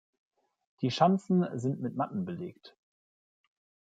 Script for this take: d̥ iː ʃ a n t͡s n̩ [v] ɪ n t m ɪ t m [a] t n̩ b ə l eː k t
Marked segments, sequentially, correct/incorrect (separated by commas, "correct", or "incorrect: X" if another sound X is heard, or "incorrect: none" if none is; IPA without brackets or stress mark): incorrect: z, correct